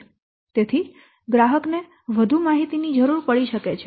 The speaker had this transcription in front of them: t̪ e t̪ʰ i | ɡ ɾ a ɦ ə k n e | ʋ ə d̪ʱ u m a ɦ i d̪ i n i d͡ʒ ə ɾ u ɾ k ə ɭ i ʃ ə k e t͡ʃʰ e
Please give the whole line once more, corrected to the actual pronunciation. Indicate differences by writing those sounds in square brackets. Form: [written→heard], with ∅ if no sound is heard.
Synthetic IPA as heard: t̪ e t̪ʰ i | ɡ ɾ a ɦ ə k n e | ʋ ə d̪ʱ u m a ɦ i [d̪→t̪] i n i d͡ʒ ə ɾ u ɾ [k→p] ə ɭ i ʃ ə k e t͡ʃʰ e